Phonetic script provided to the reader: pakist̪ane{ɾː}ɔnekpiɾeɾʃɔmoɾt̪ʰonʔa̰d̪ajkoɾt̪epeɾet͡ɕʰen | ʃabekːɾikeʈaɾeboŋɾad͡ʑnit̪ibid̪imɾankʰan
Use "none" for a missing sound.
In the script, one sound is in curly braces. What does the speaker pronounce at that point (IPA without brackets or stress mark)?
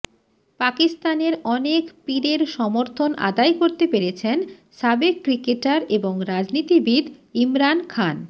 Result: ɾ